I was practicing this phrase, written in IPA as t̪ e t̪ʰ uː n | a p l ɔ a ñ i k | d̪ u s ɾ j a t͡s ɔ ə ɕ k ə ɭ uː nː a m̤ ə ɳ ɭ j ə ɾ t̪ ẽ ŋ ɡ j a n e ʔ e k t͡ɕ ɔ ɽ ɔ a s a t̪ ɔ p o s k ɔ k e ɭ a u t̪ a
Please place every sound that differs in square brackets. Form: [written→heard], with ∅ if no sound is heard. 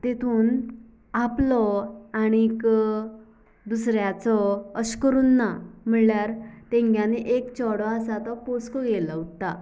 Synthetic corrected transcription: t̪ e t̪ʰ uː n | a p l ɔ a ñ i k | d̪ u s ɾ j a t͡s ɔ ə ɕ k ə [ɭ→ɾ] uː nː a m̤ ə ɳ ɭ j [ə→a] ɾ t̪ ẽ ŋ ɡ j a n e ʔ e k t͡ɕ ɔ ɽ ɔ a s a t̪ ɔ p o s k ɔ [k→ɡ] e [ɭ→l] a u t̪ a